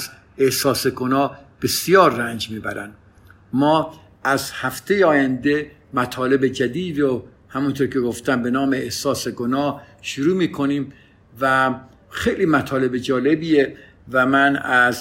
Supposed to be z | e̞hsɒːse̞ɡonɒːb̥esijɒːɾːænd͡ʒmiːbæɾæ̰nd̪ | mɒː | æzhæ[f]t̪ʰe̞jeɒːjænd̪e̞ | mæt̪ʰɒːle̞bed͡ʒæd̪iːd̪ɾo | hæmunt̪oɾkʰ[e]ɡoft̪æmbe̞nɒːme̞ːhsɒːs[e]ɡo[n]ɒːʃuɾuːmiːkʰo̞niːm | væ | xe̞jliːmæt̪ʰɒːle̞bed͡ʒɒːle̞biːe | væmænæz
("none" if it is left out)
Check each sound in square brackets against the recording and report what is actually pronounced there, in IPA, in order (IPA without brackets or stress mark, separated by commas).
f, e, e, n